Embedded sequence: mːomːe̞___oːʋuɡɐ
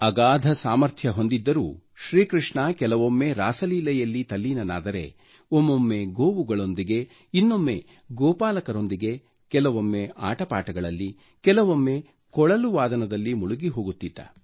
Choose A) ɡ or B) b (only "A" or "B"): A